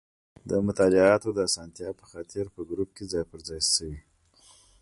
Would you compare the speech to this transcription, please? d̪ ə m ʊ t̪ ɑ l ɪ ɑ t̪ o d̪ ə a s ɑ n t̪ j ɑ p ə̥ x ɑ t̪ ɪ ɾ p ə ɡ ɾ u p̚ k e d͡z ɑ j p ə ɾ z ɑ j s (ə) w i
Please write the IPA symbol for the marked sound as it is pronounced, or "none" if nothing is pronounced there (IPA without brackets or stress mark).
ə